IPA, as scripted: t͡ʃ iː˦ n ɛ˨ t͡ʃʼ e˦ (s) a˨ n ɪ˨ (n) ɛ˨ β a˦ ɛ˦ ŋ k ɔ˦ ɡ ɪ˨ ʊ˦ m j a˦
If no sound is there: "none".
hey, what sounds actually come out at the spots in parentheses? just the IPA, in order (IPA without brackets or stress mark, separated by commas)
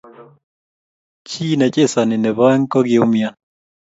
s, n